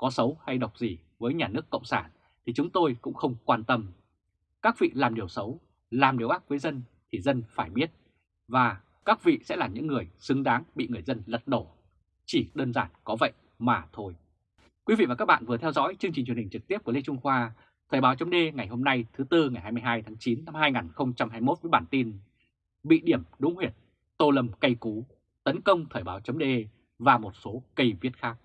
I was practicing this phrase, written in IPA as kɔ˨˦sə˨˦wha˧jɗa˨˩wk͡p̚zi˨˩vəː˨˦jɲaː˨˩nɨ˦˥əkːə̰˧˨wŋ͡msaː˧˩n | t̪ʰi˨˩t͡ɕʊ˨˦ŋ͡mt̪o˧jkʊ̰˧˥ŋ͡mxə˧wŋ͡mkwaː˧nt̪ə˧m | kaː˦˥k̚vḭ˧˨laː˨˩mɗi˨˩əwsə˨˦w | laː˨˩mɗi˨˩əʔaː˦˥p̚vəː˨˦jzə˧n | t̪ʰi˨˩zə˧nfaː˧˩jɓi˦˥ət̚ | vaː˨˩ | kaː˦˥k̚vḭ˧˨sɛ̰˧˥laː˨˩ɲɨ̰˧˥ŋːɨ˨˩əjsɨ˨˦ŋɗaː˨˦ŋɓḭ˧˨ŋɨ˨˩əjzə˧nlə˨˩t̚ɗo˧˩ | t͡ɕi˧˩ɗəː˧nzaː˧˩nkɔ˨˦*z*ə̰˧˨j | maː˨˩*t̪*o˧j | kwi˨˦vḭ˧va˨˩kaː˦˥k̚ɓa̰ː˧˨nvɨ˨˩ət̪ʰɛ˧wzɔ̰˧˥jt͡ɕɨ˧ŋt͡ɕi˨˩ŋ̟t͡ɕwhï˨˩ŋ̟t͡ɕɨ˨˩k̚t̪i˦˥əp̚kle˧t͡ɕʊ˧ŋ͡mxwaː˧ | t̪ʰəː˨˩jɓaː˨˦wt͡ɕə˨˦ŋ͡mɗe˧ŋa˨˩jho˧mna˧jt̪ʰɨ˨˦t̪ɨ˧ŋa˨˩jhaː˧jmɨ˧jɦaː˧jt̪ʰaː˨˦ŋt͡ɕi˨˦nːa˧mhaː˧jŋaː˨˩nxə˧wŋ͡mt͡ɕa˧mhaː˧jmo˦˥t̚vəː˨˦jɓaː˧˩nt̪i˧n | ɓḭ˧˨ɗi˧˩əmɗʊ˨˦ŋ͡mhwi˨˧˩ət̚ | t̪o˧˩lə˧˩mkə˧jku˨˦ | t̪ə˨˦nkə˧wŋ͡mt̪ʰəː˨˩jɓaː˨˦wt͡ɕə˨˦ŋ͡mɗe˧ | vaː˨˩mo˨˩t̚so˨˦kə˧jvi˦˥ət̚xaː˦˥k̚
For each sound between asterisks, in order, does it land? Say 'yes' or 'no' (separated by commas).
no, no